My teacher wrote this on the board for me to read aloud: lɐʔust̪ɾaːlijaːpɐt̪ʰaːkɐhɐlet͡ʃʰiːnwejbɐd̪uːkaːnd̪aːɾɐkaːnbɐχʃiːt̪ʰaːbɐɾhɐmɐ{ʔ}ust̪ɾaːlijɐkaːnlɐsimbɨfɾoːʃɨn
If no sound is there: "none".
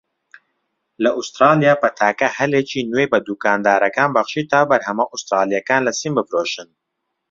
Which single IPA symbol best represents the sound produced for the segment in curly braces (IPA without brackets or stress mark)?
ʔ